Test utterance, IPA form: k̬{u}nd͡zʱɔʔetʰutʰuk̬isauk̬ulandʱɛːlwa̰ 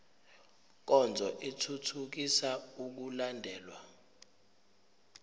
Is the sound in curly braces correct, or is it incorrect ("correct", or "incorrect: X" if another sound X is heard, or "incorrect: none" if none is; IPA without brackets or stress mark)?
incorrect: ɔ